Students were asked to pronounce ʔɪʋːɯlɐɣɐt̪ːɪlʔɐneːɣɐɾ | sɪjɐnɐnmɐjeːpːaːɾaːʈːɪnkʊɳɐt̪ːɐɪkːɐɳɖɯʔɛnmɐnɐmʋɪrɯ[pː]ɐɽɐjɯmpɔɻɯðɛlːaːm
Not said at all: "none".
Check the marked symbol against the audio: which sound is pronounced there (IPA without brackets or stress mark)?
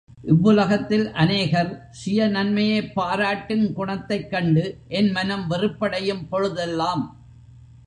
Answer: pː